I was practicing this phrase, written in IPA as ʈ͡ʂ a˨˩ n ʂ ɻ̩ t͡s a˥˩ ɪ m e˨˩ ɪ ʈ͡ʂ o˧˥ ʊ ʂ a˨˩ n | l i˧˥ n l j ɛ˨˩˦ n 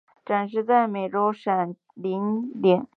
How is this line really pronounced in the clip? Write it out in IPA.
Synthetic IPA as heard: ʈ͡ʂ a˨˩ n ʂ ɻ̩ t͡s a˥˩ ɪ m e˨˩ ɪ ʈ͡ʂ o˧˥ ʊ ʂ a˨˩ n | l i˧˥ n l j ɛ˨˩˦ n